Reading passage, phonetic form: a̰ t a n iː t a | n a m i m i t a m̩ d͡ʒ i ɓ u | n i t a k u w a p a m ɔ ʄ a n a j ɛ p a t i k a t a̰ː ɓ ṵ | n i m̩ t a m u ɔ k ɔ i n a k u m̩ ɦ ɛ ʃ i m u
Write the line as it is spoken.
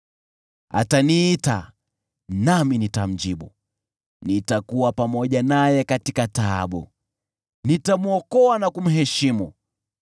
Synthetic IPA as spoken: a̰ t a n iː t a | n a m i n i t a m̩ d͡ʒ i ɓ u | n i t a k u w a p a m ɔ ʄ a n a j ɛ k a t i k a t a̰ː ɓ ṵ | n i t a m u ɔ k ɔ a n a k u m̩ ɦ ɛ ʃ i m u